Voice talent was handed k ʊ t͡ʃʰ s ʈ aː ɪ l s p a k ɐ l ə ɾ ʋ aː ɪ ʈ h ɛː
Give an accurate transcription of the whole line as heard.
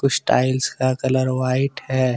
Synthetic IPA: k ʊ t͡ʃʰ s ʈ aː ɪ l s k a k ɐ l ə ɾ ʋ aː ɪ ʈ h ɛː